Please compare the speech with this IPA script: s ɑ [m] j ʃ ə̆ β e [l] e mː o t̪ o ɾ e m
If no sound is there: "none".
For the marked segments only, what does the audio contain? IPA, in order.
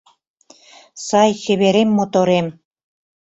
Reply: none, ɾ

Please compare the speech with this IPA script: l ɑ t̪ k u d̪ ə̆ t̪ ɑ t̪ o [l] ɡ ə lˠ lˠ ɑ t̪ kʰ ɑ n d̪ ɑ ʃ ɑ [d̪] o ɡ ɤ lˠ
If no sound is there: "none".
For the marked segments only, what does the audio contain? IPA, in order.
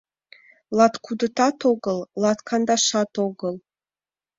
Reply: none, t̪

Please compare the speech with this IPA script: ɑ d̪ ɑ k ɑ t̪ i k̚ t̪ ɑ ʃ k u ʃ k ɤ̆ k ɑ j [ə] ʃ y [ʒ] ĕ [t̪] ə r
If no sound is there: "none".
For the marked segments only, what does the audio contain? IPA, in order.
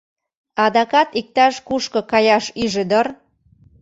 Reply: ɑ, ʒ, d̪

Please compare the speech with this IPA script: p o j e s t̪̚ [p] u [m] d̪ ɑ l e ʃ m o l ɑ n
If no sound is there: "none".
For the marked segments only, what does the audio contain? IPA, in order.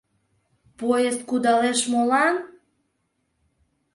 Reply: k, none

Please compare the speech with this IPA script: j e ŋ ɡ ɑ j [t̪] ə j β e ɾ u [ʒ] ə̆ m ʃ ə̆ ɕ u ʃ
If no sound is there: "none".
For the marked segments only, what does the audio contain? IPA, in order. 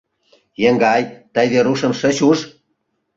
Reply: t̪, ʃ

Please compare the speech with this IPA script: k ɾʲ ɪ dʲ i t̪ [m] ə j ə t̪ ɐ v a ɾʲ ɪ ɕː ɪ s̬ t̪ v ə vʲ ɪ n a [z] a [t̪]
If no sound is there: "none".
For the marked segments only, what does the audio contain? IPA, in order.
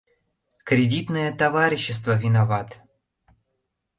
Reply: n, v, t̪

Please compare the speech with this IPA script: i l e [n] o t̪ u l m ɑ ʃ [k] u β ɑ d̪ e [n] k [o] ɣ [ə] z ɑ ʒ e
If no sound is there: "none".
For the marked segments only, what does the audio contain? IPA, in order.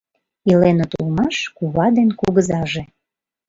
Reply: n, k, n, u, ə

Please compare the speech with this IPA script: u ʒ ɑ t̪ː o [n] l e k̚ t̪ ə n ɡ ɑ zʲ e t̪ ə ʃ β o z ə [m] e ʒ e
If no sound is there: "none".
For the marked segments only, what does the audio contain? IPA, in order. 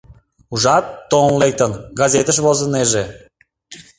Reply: n, n

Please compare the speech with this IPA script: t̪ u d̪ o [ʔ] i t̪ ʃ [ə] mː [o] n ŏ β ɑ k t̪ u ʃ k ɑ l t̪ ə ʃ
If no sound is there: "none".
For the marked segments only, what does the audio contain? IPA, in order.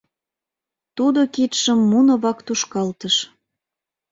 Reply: k, ə, u

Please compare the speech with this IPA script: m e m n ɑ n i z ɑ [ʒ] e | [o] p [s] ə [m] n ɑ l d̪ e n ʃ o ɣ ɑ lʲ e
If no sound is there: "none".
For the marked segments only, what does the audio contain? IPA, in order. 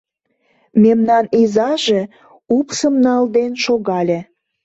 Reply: ʒ, u, s, m

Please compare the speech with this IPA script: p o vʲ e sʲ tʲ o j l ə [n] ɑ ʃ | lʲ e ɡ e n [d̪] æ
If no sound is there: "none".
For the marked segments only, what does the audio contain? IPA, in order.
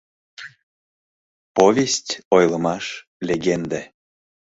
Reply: m, d̪

